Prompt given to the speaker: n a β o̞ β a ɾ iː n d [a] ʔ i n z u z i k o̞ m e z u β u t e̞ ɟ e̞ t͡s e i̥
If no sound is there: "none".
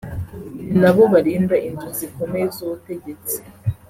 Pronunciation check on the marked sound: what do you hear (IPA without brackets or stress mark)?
a